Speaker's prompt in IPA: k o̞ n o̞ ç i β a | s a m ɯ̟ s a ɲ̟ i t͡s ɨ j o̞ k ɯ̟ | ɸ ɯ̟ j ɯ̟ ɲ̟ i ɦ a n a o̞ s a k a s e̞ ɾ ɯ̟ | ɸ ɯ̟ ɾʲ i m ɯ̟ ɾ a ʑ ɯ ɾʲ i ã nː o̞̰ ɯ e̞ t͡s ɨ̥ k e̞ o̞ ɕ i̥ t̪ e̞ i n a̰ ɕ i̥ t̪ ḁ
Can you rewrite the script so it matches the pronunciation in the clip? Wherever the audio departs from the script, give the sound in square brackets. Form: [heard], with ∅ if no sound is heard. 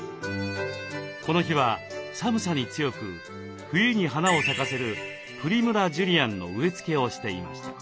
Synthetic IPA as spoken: k o̞ n o̞ ç i β a | s a m ɯ̟ s a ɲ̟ i t͡s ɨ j o̞ k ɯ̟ | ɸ ɯ̟ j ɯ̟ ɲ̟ i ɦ a n a o̞ s a k a s e̞ ɾ ɯ̟ | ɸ ɯ̟ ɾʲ i m ɯ̟ ɾ a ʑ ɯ ɾʲ i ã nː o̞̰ ɯ e̞ t͡s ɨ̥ k e̞ o̞ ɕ i̥ t̪ e̞ i [m] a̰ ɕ i̥ t̪ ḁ